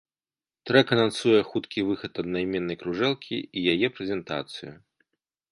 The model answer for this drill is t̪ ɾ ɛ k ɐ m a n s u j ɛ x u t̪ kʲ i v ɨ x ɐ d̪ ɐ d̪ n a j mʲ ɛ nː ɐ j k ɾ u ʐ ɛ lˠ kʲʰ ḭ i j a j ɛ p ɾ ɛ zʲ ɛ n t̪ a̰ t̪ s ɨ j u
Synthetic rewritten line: t̪ ɾ ɛ k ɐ n a n s u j ɛ x u t̪ kʲ i v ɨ x ɐ t̪ ɐ d̪ n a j mʲ ɛ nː ɐ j k ɾ u ʐ ɛ lˠ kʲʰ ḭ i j a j ɛ p ɾ ɛ zʲ ɛ n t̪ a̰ t̪ s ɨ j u